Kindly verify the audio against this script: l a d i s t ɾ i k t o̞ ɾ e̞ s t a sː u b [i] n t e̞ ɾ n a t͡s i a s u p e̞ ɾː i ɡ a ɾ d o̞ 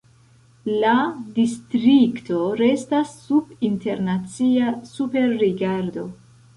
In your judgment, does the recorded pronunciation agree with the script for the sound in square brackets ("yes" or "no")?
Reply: yes